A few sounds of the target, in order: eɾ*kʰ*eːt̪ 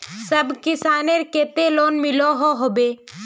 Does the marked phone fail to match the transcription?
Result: yes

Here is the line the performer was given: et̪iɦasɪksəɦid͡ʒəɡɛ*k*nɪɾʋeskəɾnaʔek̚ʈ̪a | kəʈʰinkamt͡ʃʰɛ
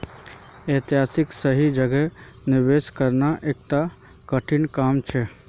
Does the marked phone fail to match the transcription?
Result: yes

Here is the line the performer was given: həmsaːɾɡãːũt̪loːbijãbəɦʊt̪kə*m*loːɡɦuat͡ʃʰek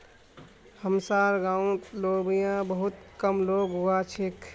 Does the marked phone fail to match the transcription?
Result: no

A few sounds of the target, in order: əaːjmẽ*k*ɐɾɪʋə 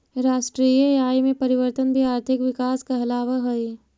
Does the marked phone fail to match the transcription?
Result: yes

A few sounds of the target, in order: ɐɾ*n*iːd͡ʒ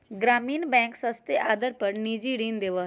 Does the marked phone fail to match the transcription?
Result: no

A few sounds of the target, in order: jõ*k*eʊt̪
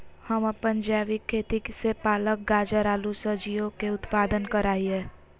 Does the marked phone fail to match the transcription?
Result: no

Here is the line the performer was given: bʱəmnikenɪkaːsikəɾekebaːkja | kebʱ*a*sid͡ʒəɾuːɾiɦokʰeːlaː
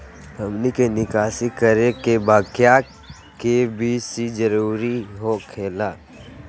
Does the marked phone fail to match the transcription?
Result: yes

